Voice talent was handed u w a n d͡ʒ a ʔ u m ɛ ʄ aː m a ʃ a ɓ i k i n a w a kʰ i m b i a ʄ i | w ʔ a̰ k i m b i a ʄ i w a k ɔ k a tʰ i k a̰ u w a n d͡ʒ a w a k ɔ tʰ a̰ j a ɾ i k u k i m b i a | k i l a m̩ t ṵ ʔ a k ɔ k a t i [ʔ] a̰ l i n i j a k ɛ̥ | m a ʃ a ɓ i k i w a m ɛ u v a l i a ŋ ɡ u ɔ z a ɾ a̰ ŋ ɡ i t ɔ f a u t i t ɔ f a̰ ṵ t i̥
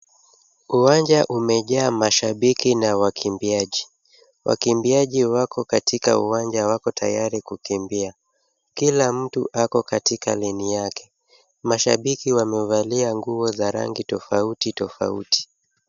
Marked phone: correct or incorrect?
incorrect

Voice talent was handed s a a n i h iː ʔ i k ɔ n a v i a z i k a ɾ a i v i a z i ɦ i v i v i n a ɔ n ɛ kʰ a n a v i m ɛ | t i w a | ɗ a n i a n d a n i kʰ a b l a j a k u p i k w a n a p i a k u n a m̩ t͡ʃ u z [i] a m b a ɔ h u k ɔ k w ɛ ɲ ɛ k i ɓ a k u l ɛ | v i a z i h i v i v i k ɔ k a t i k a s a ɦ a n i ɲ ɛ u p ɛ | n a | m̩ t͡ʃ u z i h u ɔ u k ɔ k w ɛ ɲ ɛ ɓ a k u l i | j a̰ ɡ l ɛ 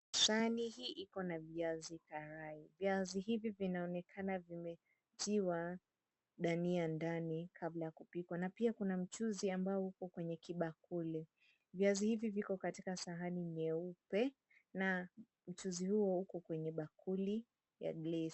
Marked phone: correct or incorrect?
correct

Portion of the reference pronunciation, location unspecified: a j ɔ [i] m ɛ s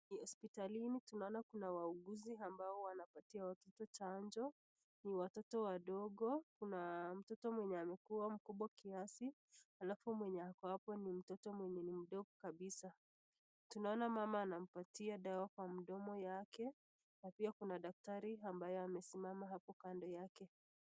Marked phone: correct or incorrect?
incorrect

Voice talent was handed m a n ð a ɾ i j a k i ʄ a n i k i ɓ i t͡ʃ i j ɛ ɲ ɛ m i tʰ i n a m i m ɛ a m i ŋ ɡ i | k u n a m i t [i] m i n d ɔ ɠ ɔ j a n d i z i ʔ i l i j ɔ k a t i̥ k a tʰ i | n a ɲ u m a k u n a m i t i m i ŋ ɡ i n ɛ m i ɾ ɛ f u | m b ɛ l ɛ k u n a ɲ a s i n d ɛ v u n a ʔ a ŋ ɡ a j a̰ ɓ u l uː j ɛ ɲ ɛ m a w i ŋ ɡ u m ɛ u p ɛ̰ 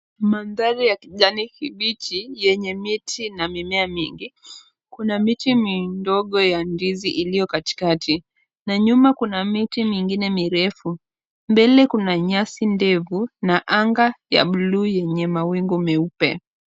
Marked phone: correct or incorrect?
correct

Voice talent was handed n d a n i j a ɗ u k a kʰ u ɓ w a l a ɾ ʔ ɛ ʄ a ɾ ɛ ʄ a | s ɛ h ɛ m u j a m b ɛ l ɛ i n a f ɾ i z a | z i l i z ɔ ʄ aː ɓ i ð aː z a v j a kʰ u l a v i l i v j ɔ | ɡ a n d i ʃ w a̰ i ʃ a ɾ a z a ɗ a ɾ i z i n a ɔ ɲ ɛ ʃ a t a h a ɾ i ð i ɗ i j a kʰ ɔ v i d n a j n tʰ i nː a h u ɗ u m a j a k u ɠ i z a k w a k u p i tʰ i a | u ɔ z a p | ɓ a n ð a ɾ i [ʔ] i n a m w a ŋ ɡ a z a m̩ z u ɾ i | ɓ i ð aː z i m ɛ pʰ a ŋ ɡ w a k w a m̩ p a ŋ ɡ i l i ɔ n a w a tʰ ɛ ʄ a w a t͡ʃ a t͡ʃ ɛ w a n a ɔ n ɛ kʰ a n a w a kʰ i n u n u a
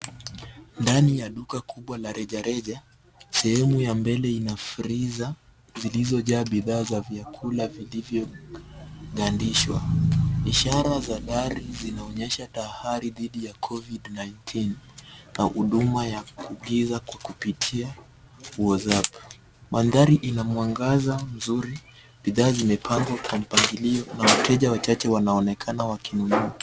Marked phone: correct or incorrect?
correct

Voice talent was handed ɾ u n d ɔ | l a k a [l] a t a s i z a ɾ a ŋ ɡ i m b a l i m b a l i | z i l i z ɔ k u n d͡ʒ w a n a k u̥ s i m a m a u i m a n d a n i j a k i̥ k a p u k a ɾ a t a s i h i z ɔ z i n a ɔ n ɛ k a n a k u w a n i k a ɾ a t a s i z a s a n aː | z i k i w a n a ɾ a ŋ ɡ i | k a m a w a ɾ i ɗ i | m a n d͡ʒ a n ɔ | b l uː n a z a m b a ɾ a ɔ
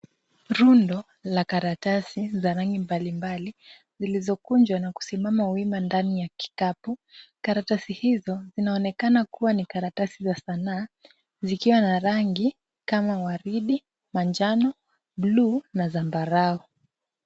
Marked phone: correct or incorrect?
incorrect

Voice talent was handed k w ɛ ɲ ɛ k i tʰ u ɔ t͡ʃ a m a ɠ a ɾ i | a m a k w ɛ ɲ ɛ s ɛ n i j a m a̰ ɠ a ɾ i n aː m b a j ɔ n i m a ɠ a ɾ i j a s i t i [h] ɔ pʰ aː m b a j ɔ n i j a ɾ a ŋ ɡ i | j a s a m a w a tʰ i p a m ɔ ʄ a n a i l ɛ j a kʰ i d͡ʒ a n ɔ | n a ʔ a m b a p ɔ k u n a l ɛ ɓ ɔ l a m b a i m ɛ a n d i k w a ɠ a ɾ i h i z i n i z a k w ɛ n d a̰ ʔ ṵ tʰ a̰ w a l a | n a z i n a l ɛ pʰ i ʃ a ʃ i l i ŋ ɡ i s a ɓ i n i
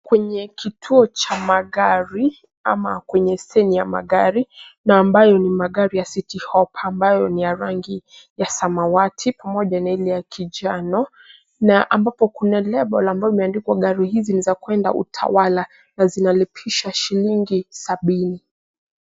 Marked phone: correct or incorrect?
correct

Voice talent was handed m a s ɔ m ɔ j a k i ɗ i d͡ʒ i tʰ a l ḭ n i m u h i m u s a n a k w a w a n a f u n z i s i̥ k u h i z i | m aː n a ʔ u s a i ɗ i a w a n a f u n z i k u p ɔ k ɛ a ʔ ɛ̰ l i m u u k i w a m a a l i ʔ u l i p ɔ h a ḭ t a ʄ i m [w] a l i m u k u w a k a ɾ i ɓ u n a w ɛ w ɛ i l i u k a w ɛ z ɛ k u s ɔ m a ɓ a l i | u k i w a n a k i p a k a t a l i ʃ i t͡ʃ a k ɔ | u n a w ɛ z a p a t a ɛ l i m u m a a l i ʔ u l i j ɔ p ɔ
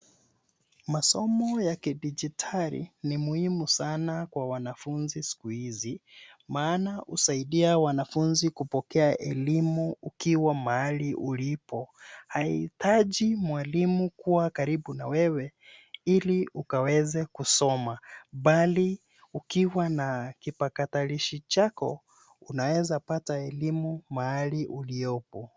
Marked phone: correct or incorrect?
correct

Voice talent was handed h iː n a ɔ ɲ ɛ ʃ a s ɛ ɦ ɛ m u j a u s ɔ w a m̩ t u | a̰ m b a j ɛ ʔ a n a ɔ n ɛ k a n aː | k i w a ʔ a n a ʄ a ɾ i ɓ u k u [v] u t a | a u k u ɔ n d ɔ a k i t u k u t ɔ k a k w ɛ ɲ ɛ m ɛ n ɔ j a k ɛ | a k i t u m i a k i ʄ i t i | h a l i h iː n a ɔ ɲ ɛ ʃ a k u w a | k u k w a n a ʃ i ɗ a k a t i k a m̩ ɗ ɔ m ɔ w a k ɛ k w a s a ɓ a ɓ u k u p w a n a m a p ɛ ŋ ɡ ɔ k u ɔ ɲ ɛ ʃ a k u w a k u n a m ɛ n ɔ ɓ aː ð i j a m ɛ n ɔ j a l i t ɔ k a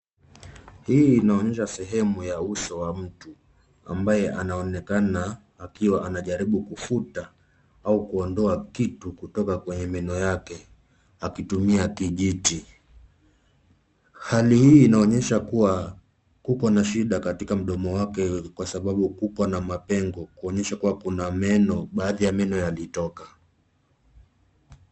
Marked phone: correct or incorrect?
incorrect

